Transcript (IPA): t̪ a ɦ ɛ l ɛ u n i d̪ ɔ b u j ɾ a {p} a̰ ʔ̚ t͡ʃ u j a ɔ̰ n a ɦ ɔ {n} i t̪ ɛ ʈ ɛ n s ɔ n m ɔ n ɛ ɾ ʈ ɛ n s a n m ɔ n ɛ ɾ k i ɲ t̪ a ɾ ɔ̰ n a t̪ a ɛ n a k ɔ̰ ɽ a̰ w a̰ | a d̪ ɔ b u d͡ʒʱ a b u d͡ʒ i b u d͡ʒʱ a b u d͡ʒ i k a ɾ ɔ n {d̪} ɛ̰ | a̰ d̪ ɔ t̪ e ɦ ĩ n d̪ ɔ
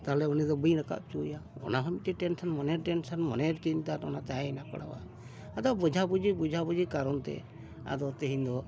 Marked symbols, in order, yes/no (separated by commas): no, no, no